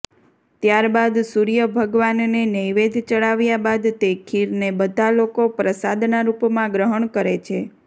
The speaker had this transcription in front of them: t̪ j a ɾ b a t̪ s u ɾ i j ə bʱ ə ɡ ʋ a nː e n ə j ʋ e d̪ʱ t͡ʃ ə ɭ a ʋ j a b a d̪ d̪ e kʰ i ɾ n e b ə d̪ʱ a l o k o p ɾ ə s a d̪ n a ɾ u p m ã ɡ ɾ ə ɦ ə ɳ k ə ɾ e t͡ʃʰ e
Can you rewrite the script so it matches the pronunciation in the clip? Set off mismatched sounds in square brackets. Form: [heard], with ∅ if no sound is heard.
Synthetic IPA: t̪ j a ɾ b a [d̪] s u ɾ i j ə bʱ ə ɡ ʋ a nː e n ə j ʋ e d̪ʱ t͡ʃ ə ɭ a ʋ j a b a d̪ [t̪] e kʰ i ɾ n e b ə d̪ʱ a l o k o p ɾ ə s a d̪ n a ɾ u p m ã ɡ ɾ ə ɦ ə ɳ k ə ɾ e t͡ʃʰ e